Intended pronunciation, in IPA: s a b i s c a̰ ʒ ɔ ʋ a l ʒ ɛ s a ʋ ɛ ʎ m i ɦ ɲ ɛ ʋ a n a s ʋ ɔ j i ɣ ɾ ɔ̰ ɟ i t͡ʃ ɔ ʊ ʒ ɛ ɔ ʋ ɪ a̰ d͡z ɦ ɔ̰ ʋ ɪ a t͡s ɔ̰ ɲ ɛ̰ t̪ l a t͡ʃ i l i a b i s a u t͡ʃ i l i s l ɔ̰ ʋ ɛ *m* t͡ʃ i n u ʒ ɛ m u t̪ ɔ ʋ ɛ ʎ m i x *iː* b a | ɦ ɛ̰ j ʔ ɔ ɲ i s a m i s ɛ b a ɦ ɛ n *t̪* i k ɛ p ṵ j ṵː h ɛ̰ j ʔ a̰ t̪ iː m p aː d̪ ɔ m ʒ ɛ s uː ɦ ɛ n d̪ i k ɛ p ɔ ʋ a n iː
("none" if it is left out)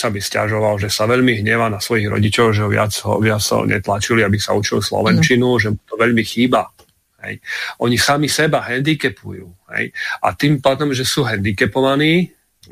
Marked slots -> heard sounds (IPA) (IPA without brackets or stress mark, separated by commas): n, iː, d̪